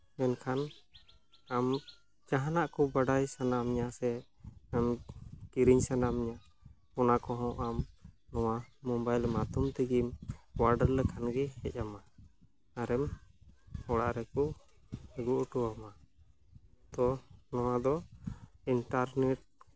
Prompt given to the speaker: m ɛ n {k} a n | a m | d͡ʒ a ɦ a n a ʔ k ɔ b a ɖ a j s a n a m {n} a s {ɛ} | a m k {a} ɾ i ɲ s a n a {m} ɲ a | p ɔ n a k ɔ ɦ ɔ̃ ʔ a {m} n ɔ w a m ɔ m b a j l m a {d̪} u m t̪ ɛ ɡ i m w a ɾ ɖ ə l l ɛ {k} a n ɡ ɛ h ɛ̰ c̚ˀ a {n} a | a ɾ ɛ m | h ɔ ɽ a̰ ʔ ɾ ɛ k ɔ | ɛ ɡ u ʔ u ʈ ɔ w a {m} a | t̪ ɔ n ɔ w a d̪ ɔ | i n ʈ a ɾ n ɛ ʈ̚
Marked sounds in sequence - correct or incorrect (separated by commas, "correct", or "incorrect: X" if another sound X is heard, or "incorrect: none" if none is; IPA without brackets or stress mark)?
incorrect: kʰ, incorrect: ɲ, correct, incorrect: i, correct, correct, incorrect: t̪, incorrect: kʰ, incorrect: m, correct